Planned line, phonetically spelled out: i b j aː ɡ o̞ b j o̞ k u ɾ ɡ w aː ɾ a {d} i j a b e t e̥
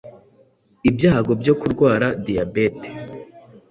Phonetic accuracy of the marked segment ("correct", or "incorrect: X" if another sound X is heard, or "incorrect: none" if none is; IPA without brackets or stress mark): correct